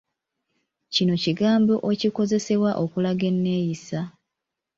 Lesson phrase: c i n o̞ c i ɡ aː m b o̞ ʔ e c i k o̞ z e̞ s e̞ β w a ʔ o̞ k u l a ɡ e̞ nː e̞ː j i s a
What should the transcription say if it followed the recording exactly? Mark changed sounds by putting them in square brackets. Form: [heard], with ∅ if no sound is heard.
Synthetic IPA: c i n o̞ c i ɡ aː m b o̞ ʔ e c i k o̞ z e̞ s e̞ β w a ʔ o̞ k u l a ɡ e̞ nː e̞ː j i s a